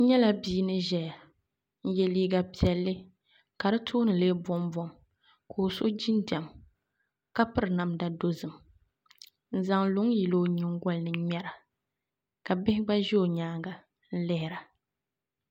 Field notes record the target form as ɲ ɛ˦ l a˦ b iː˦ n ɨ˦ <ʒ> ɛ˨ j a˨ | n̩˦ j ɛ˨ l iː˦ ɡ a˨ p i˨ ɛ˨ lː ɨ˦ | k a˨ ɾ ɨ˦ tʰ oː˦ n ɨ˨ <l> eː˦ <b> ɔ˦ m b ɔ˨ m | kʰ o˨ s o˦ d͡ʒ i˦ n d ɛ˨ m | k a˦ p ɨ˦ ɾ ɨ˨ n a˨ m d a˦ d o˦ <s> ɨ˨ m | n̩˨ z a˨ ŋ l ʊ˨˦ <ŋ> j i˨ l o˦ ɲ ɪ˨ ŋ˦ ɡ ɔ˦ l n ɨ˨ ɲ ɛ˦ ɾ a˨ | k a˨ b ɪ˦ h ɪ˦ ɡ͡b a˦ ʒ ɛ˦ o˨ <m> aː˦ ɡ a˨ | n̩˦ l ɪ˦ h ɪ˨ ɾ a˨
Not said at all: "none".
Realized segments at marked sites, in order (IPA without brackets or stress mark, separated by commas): ʒ, l, b, z, ŋ, ɲ